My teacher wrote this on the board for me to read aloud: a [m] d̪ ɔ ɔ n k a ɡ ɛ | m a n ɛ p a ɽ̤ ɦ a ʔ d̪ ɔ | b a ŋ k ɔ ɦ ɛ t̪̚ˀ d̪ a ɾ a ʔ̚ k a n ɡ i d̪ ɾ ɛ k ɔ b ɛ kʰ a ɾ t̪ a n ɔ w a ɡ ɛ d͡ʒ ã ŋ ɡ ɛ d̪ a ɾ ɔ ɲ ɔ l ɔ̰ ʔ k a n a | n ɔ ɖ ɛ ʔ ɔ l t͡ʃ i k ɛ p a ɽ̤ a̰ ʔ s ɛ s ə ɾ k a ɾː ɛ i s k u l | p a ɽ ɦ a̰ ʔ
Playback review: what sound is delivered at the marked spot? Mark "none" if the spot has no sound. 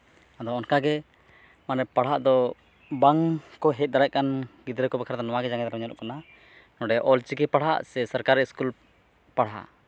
none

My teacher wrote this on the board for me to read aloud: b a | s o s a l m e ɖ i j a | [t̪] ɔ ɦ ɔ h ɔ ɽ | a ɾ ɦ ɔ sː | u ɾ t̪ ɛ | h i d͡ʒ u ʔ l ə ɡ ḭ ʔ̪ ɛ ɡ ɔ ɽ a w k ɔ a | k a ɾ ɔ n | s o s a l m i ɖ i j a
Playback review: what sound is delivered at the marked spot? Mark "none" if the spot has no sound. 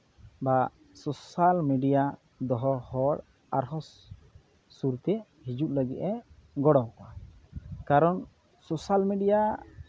d̪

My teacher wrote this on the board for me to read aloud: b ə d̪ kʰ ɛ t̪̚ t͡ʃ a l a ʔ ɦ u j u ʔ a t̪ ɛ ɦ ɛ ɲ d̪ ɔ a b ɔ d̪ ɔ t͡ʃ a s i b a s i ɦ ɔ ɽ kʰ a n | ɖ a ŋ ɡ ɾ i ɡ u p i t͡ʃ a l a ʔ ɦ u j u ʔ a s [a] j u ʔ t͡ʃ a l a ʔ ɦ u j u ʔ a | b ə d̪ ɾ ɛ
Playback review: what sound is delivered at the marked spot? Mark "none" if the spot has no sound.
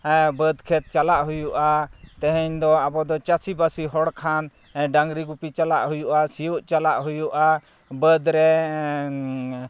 i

